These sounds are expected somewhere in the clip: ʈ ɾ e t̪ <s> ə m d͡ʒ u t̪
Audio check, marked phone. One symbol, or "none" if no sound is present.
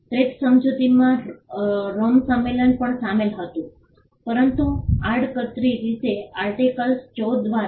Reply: s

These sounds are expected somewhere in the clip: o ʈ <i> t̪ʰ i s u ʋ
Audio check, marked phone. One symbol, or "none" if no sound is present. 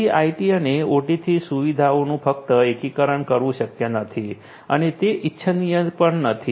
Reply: i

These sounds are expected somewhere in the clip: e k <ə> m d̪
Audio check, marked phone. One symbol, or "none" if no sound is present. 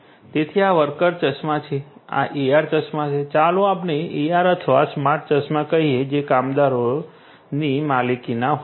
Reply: a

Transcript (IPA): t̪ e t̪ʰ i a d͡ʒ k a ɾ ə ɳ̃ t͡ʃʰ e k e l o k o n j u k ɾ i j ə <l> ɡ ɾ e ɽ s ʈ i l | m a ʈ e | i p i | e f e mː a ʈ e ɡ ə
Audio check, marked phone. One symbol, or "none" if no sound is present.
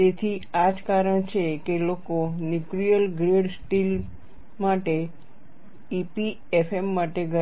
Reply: l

